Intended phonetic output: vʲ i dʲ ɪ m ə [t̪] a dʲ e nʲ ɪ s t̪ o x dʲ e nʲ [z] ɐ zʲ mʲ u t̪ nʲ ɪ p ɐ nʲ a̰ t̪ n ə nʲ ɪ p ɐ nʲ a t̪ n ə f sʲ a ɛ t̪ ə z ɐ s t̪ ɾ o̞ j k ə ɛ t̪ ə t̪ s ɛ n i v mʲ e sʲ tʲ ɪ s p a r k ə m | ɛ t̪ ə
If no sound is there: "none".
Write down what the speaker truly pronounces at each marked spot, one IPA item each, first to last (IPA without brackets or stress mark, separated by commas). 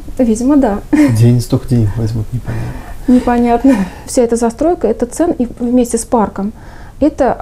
d̪, v